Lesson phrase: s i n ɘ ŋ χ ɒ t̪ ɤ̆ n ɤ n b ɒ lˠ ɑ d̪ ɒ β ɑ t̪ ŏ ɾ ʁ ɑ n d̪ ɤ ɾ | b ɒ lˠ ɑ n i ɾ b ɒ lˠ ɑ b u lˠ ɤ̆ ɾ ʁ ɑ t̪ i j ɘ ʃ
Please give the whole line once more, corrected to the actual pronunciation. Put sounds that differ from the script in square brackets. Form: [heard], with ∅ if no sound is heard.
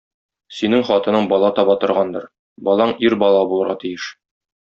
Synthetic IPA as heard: s i n ɘ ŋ χ ɒ t̪ ɤ̆ n ɤ [ɴ] b ɒ lˠ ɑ [t̪] ɒ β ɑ t̪ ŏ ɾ ʁ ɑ n d̪ ɤ ɾ | b ɒ lˠ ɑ [ɴ] i ɾ b ɒ lˠ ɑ b u lˠ ɤ̆ ɾ ʁ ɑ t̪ i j ɘ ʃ